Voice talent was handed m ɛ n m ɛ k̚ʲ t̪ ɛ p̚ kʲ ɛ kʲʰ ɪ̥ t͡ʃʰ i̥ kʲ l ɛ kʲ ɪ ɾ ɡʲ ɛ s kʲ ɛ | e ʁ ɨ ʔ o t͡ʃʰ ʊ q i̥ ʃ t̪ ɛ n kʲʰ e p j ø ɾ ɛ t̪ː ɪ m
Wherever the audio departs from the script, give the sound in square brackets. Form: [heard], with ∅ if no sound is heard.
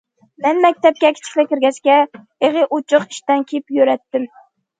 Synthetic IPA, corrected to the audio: m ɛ n m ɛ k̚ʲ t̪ ɛ p̚ kʲ ɛ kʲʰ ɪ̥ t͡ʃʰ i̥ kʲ l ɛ kʲ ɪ ɾ ɡʲ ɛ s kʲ ɛ | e ʁ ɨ ʔ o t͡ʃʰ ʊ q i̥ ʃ t̪ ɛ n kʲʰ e p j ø ɾ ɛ t̪ː ɪ m